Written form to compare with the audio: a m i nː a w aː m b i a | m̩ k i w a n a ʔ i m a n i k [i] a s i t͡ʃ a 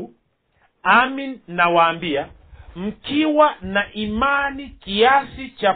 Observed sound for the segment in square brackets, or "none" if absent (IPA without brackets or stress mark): i